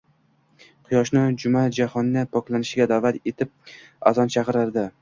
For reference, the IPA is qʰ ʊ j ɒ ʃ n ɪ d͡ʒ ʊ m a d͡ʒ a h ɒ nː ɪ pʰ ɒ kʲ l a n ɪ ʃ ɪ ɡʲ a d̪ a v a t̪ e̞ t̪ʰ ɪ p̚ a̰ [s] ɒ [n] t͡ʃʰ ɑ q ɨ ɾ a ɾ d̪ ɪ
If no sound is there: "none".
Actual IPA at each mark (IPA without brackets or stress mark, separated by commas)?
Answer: z, n